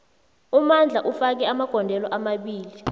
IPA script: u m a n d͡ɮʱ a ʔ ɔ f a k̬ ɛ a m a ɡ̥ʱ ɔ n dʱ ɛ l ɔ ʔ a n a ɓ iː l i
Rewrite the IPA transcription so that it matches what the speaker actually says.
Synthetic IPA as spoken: u m a n d͡ɮʱ a ʔ u f a k̬ ɛ a m a ɡ̥ʱ ɔ n dʱ ɛ l ɔ ʔ a m a ɓ iː l i